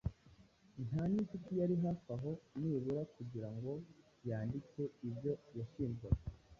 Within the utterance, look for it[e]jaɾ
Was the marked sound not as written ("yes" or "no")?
yes